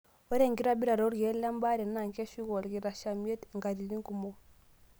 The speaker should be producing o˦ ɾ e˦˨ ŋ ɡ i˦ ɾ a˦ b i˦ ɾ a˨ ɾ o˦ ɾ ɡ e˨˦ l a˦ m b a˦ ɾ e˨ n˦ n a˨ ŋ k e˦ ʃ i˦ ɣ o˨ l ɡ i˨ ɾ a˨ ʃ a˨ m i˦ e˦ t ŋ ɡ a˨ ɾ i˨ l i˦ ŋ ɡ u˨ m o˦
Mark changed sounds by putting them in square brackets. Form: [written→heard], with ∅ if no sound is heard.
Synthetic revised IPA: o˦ ɾ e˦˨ ŋ ɡ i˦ ɾ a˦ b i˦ ɾ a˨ ɾ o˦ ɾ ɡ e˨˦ l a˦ m b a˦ ɾ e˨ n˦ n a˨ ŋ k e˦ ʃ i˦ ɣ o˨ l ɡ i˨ ɾ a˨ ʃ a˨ m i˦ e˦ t ŋ ɡ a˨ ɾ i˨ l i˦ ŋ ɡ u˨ m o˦

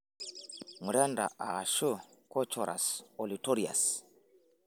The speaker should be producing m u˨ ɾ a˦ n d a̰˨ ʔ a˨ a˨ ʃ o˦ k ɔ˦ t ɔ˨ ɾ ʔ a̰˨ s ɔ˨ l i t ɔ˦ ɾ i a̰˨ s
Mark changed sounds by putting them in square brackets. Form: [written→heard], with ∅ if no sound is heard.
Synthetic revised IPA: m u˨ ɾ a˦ n d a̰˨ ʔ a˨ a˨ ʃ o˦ k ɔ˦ [t→t͡ʃ] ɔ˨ ɾ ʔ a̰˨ s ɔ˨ l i t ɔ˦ ɾ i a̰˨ s

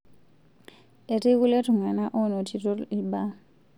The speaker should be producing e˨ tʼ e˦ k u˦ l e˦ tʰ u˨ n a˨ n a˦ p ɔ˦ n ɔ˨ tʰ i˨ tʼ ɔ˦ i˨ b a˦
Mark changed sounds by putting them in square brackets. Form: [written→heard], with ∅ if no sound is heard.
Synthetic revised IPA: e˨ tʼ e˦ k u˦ l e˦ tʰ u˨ [n→ŋ] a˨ n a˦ [p→ʔ] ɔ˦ n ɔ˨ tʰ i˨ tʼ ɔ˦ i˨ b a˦

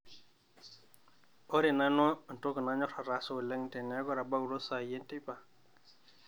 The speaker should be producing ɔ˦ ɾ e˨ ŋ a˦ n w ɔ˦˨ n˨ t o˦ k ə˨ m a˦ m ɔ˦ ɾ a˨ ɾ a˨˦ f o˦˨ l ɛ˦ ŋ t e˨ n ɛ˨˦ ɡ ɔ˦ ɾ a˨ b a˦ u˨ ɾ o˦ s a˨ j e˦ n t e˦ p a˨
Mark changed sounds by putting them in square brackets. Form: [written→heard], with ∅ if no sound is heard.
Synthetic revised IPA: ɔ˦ ɾ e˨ [ŋ→n] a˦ n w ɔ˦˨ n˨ t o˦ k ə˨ [m→n] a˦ [m→ɲ] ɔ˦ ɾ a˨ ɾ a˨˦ [f→s] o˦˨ l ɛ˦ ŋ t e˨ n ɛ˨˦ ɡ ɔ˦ ɾ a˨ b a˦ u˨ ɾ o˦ s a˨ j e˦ n t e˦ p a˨

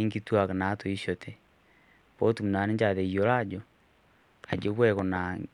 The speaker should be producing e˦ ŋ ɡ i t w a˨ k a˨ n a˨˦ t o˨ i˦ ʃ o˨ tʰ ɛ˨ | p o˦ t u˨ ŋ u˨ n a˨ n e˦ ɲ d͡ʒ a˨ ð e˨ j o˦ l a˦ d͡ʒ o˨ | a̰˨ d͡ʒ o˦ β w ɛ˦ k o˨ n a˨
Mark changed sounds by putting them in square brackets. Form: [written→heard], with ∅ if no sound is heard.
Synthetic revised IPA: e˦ ŋ ɡ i t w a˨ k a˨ n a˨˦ t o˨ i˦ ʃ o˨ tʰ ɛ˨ | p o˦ t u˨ [ŋ→m] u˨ n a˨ n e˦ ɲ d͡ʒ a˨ ð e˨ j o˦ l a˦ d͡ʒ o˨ | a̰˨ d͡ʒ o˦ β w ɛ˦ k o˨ n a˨

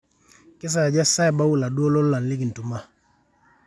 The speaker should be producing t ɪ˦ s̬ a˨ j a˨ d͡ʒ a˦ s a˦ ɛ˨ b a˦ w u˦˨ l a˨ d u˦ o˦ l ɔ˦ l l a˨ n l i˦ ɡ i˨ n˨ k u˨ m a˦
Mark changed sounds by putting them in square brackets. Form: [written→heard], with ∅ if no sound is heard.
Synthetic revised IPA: [t→k] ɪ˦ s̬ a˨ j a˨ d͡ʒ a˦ s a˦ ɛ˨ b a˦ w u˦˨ l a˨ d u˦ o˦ l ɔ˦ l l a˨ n l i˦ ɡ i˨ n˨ [k→t] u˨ m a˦

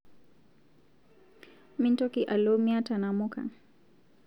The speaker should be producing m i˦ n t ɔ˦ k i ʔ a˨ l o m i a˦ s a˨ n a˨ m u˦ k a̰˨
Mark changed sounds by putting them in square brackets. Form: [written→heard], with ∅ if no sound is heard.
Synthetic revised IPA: m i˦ n t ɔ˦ k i ʔ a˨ l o m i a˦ [s→t] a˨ n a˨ m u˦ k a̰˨

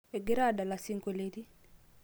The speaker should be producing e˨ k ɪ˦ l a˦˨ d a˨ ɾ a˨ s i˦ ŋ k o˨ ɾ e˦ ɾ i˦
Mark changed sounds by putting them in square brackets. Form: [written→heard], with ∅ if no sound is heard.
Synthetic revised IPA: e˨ [k→ɡ] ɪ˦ [l→ɾ] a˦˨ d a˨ [ɾ→l] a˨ s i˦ ŋ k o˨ [ɾ→l] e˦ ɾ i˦

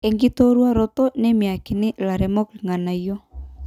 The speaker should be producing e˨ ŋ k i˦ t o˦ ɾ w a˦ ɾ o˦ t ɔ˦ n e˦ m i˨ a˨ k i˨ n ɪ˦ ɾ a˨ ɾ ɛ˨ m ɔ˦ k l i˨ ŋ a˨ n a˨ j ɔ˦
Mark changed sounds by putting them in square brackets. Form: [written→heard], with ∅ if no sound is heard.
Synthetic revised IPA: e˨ ŋ [k→ɡ] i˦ t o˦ ɾ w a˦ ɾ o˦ t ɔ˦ n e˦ m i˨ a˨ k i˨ n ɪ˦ [ɾ→l] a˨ ɾ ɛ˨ m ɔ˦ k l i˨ ŋ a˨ n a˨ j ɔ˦

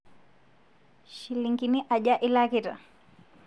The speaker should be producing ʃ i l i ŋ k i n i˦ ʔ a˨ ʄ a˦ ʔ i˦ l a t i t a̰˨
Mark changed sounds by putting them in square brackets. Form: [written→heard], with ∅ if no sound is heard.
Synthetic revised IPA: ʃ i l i ŋ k i n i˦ ʔ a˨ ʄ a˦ ʔ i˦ l a [t→k] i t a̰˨

